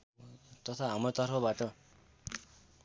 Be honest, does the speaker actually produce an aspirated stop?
yes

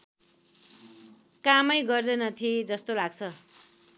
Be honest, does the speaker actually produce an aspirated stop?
yes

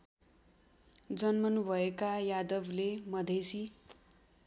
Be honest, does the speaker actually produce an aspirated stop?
no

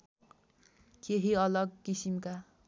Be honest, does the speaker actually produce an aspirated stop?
no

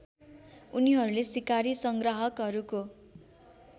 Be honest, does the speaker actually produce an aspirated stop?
no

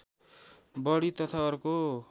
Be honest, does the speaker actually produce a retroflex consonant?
yes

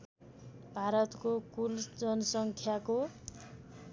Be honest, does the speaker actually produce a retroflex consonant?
no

